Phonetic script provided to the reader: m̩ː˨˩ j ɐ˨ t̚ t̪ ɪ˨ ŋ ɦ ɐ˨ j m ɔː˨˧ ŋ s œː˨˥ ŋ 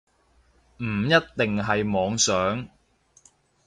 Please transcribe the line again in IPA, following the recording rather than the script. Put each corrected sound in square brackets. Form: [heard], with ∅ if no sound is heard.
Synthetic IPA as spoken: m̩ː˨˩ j [ɐ˥] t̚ t̪ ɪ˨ ŋ ɦ ɐ˨ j m ɔː˨˧ ŋ s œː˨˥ ŋ